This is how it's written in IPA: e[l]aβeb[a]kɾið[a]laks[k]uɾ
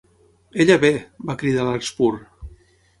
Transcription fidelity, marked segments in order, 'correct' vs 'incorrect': incorrect, correct, correct, incorrect

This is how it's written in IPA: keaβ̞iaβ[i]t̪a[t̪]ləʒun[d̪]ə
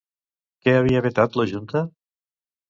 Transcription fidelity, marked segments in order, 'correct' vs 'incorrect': incorrect, correct, incorrect

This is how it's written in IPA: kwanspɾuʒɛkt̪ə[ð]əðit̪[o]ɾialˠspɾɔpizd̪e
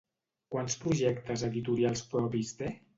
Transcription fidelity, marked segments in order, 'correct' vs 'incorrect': incorrect, incorrect

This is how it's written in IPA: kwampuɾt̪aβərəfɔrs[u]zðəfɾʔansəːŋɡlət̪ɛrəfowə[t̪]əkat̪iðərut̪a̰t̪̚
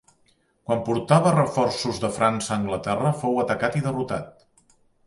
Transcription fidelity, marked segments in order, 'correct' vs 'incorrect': correct, correct

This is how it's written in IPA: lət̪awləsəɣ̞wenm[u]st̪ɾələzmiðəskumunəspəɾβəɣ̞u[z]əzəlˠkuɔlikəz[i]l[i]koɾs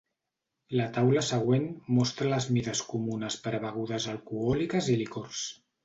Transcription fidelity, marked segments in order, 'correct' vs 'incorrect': incorrect, incorrect, correct, correct

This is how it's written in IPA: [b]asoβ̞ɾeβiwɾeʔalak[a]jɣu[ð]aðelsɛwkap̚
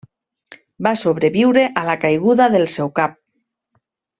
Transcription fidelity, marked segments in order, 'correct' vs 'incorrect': correct, correct, correct

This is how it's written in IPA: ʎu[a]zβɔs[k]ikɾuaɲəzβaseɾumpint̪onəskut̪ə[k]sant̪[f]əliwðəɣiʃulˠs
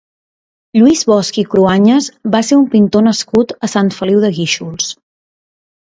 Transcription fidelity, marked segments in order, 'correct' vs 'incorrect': incorrect, correct, incorrect, correct

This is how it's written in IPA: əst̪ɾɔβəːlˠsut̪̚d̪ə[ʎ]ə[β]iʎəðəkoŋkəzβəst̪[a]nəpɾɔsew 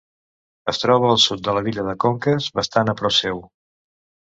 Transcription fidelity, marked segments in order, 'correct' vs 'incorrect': incorrect, correct, correct

